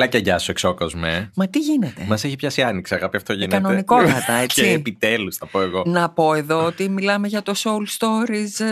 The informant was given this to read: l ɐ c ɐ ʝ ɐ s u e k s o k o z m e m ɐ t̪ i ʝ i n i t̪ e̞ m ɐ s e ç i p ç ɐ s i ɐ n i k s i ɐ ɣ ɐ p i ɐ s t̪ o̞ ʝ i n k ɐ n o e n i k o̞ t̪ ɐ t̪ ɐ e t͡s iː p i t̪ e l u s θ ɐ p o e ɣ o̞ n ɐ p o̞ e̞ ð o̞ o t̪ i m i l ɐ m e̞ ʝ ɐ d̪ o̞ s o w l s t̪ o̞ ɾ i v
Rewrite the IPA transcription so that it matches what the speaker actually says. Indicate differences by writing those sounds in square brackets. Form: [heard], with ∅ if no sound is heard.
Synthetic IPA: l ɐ c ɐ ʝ ɐ s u e k s o k o z m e m ɐ t̪ i ʝ i n [e] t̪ e̞ m ɐ s e ç i p ç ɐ s i ɐ n i k s i ɐ ɣ ɐ p i ɐ [f] t̪ o̞ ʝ i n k ɐ n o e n i k o̞ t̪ ɐ t̪ ɐ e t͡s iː p i t̪ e l u s θ ɐ p o e ɣ o̞ n ɐ p o̞ e̞ ð o̞ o t̪ i m i l ɐ m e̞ ʝ ɐ [t̪] o̞ s o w l s t̪ o̞ ɾ i [z]